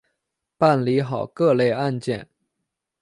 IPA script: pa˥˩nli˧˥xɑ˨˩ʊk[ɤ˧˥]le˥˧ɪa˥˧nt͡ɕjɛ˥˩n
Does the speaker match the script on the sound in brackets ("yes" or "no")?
no